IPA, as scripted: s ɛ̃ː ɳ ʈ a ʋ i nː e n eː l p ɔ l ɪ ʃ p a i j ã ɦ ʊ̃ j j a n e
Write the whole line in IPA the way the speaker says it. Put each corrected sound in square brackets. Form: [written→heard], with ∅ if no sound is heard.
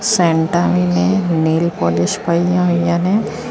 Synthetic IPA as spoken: s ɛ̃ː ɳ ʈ a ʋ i [nː→n] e n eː l p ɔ l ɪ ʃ p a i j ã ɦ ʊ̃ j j a n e